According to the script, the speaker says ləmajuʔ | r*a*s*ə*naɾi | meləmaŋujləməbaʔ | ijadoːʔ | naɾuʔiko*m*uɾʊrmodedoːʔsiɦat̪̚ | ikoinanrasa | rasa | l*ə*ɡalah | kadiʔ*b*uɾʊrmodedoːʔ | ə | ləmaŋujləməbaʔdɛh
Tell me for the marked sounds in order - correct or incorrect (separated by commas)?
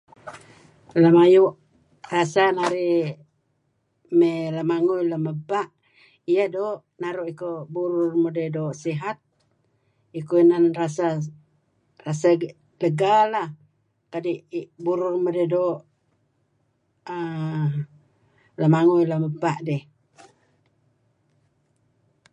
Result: correct, incorrect, incorrect, correct, correct